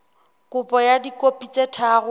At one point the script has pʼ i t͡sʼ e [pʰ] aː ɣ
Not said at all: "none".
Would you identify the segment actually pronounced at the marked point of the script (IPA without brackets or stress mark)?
tʰ